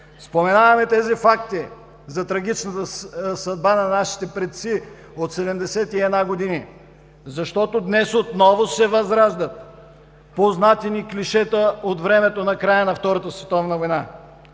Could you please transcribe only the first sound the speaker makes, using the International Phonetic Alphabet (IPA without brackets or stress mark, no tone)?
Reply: s